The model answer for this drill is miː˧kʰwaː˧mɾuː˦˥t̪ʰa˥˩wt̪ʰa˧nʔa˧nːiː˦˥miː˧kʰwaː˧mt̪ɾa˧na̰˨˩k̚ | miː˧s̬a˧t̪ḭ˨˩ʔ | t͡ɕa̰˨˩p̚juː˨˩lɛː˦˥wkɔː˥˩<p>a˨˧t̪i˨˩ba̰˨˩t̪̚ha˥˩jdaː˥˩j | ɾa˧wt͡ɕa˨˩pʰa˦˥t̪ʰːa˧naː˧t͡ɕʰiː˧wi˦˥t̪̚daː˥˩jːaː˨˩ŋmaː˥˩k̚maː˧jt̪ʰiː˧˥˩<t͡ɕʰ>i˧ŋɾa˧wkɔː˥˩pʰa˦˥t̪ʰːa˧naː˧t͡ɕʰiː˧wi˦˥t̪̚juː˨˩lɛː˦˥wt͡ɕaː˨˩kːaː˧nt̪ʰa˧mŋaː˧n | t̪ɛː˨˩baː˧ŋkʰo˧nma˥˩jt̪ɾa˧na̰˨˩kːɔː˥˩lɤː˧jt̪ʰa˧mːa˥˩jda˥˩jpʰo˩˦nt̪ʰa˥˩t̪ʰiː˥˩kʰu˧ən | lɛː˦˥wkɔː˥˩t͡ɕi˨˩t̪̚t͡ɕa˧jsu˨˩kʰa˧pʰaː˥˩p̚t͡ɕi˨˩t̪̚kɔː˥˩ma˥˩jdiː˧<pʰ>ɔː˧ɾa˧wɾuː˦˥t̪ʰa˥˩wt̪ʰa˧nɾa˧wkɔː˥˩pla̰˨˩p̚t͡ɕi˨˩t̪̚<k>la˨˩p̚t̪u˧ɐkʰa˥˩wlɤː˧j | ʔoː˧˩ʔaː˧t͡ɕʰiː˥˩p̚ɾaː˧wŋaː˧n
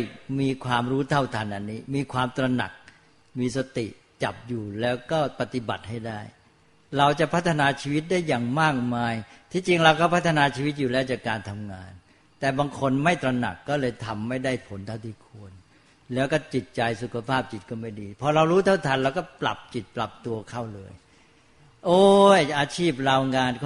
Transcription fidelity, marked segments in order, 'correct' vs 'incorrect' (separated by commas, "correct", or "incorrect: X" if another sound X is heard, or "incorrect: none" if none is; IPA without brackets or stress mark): correct, incorrect: t͡ɕ, correct, incorrect: p